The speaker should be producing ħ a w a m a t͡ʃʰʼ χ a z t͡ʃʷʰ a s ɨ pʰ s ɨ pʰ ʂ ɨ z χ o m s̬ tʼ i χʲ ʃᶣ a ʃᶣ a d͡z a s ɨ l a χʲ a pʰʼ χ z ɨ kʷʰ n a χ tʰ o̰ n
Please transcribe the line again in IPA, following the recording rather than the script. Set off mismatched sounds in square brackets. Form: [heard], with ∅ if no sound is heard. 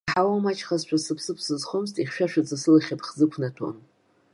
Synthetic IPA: ħ a w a m a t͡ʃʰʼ χ a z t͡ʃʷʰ a s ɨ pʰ s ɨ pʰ [s] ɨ z χ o m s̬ tʼ i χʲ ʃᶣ a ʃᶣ a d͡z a s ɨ l a χʲ a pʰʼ χ z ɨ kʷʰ n a [∅] tʰ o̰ n